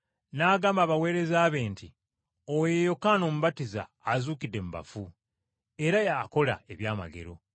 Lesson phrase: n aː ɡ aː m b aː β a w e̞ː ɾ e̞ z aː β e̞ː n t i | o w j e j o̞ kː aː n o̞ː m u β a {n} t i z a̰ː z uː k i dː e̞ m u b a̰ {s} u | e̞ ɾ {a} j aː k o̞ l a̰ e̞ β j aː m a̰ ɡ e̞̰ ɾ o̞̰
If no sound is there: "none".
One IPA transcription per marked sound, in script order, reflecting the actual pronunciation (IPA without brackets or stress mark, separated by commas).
none, f, a